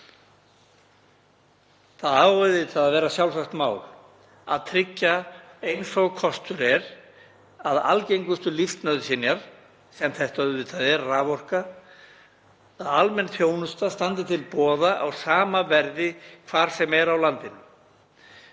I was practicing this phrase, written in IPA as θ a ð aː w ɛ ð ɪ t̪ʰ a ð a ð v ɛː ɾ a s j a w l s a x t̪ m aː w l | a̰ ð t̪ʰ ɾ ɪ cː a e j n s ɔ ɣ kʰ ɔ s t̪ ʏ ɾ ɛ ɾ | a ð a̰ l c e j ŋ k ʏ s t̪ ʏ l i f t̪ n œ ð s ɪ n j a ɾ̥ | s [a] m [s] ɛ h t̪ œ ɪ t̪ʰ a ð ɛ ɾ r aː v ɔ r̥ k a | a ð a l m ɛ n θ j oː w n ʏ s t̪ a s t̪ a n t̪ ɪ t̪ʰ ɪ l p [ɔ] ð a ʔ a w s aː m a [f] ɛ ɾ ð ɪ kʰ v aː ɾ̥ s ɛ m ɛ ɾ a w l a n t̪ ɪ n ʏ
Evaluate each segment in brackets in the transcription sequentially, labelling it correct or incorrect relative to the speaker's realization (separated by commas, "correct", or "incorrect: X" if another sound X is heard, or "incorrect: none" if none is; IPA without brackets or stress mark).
incorrect: ɛ, incorrect: θ, incorrect: ɔː, incorrect: v